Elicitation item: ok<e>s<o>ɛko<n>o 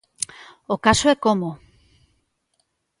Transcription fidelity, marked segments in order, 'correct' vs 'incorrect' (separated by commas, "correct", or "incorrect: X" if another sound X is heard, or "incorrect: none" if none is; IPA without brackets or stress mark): incorrect: a, correct, incorrect: m